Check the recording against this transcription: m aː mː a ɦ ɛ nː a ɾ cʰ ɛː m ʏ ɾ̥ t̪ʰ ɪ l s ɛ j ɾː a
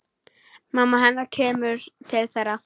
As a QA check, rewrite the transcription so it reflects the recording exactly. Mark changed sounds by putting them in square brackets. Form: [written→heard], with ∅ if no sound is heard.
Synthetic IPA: m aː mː a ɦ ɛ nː a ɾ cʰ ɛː m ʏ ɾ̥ t̪ʰ ɪ l [s→θ] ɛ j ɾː a